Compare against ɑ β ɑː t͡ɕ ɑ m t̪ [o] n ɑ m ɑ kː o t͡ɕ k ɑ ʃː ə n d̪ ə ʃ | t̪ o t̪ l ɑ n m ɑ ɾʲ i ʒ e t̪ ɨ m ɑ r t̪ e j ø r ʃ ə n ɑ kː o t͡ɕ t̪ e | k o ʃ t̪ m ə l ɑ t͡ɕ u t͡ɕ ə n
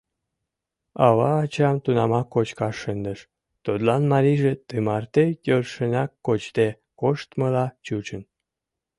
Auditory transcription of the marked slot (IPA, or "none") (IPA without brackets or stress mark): u